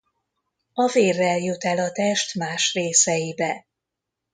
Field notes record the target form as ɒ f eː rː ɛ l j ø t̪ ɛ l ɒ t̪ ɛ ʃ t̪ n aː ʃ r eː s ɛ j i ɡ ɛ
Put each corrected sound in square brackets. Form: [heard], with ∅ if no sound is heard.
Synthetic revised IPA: ɒ [v] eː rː ɛ l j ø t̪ ɛ l ɒ t̪ ɛ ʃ t̪ [m] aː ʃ r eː s ɛ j i [b] ɛ